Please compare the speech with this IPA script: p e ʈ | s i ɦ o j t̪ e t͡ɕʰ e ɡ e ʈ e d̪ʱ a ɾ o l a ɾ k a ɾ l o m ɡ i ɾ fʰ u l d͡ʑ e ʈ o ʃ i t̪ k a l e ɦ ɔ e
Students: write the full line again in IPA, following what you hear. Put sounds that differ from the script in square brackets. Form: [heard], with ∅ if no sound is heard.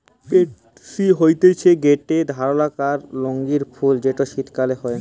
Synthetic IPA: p e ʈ | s i ɦ o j t̪ e t͡ɕʰ e ɡ e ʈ e d̪ʱ a ɾ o l a [∅] k a ɾ l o [ŋ] ɡ i ɾ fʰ u l d͡ʑ e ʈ o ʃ i t̪ k a l e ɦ ɔ e